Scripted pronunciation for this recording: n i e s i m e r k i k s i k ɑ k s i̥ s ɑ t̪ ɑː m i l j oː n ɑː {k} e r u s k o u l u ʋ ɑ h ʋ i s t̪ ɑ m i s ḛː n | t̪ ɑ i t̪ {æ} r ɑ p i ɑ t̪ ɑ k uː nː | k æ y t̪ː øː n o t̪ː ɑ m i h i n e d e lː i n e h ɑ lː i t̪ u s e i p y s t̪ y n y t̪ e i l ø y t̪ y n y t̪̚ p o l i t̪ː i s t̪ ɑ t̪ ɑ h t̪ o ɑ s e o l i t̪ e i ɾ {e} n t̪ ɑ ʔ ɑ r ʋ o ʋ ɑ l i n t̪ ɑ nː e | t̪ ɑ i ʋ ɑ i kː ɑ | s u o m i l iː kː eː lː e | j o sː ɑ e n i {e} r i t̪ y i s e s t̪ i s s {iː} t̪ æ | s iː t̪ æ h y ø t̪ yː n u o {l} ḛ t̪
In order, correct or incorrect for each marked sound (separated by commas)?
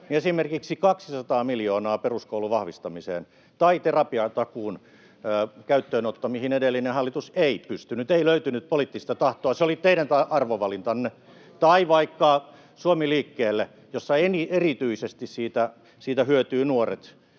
incorrect, incorrect, incorrect, correct, correct, incorrect